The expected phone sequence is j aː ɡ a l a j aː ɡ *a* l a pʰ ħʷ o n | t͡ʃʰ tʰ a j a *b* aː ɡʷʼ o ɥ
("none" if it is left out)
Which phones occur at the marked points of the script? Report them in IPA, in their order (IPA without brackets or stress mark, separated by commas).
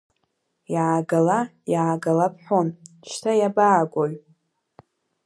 a, b